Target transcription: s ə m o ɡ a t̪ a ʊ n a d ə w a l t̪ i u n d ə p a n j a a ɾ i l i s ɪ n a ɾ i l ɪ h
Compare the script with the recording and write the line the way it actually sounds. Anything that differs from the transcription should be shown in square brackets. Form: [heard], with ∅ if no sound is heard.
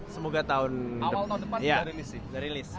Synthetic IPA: s ə m o ɡ a t̪ a ʊ n a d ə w a l t̪ [a] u n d ə p a n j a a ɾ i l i s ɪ [d] a ɾ i l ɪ [s]

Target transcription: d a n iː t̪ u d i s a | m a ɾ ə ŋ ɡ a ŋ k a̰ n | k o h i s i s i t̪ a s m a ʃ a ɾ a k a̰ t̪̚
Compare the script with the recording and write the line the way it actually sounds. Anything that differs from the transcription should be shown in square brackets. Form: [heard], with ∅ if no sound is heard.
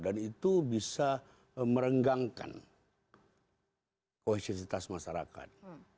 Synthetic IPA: d a n [i] t̪ u [b] i s a | m [ə] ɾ ə ŋ ɡ a ŋ k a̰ n | k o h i s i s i t̪ a s m a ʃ a ɾ a k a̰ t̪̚

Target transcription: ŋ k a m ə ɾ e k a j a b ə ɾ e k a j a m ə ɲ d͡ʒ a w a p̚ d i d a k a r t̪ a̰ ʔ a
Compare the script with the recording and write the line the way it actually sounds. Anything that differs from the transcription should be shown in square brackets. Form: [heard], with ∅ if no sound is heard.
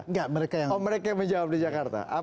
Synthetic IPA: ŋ [ɡ] a m ə ɾ e k a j a [m] ə ɾ e k a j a m ə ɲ d͡ʒ a w a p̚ d i [d͡ʒ] a k a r t̪ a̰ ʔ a

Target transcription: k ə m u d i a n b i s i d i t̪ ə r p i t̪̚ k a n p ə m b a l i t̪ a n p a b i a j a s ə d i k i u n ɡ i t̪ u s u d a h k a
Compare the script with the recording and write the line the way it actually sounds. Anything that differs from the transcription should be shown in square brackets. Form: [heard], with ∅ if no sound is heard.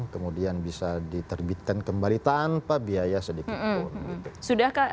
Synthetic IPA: k ə m u d i a n b i s [a] d i t̪ ə r [b] i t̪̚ k a n [k] ə m b a l i t̪ a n p a b i a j a s ə d i k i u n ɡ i t̪ u s u d a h k a

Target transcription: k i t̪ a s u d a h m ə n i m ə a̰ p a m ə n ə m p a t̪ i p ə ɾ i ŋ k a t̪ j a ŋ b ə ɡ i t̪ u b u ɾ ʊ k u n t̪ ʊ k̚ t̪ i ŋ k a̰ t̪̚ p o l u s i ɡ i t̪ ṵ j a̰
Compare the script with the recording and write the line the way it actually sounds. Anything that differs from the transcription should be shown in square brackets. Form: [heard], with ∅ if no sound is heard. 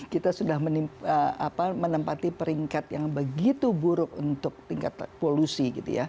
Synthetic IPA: k i t̪ a s u d a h m ə n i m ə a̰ p a m ə n ə m p a t̪ i p ə ɾ i ŋ k a t̪ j a ŋ b ə ɡ i t̪ u b u ɾ ʊ k u n t̪ ʊ k̚ t̪ i ŋ k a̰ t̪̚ p o l u s i ɡ i t̪ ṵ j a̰

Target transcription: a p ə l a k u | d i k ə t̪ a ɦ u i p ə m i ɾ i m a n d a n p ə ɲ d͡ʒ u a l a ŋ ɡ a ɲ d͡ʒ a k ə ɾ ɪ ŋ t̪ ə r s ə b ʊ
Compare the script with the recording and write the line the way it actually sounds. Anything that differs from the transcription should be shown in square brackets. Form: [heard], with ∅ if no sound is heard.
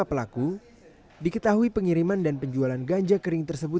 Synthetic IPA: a p ə l a k u | d i k ə t̪ a ɦ u i p ə [ŋ] i ɾ i m a n d a n p ə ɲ d͡ʒ u a l a [n] ɡ a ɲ d͡ʒ a k ə ɾ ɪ ŋ t̪ ə r s ə b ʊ

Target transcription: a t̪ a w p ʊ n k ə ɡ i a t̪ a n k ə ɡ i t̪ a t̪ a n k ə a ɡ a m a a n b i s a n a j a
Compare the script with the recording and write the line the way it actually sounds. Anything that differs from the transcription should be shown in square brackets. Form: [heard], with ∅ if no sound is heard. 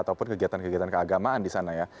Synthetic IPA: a t̪ a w p ʊ n k ə ɡ i a t̪ a n k ə ɡ i [∅] a t̪ a n k ə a ɡ a m a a n [d] i s a n a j a

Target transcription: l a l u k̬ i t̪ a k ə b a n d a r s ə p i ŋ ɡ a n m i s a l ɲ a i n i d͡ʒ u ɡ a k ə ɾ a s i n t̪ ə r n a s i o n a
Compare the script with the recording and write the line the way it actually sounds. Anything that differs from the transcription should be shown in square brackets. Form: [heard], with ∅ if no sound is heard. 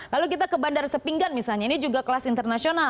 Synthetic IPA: l a l u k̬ i t̪ a k ə b a n d a r s ə p i ŋ ɡ a n m i s a l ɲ a i n i d͡ʒ u ɡ a k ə [l] a s i n t̪ ə r n a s i o n a

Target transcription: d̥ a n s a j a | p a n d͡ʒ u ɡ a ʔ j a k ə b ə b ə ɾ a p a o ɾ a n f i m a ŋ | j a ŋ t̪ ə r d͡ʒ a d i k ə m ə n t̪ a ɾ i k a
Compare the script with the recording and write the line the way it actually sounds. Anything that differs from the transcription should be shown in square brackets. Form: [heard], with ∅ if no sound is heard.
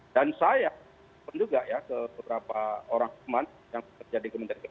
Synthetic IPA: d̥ a n s a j a | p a n d͡ʒ u ɡ a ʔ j a k ə b ə b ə ɾ a p a o ɾ a [ŋ] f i m a [n] | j a ŋ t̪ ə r d͡ʒ a d i k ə m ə n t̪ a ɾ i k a

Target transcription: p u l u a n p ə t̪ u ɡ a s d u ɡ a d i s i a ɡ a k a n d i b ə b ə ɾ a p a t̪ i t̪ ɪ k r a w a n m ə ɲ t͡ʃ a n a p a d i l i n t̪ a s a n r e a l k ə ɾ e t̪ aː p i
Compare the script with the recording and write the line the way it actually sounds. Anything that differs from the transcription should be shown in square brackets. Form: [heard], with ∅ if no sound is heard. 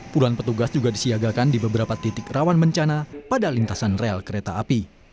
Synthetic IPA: p u l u a n p ə t̪ u ɡ a s [d͡ʒ] u ɡ a d i s i a ɡ a k a n d i b ə b ə ɾ a p a t̪ i t̪ ɪ k r a w a n m ə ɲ t͡ʃ a n a p a d [a] l i n t̪ a s a n r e a l k ə ɾ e t̪ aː p i

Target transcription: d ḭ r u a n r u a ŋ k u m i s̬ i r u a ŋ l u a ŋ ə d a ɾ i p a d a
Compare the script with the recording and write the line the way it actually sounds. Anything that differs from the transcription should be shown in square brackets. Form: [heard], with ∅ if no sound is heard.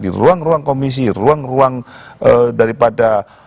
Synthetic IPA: d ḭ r u a [ŋ] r u a ŋ k [o] m i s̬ i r u a ŋ [r] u a ŋ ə d a ɾ i p a d a

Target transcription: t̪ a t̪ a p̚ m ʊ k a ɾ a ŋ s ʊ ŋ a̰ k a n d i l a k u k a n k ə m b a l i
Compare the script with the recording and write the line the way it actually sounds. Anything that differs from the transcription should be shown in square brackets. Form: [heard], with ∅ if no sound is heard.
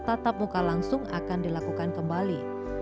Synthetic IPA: t̪ a t̪ a p̚ m [u] k a [l] a ŋ s ʊ ŋ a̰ k a n d i l a k u k a n k ə m b a l i

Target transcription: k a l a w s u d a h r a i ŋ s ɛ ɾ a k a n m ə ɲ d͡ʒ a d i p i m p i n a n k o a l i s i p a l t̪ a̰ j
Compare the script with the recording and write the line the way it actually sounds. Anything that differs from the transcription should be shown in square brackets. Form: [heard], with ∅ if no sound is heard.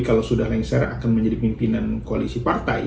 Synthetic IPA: k a l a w s u d a h [l] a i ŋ s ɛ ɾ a k a n m ə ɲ d͡ʒ a d i p i m p i n a n k o a l i s i p a [r] t̪ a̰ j

